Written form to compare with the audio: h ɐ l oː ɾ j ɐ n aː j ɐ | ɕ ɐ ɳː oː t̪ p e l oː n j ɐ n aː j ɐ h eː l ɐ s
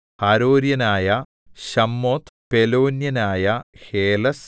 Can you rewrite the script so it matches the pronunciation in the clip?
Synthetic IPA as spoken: h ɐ ɾ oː ɾ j ɐ n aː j ɐ | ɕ ɐ mː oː t̪ p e l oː n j ɐ n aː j ɐ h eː l ɐ s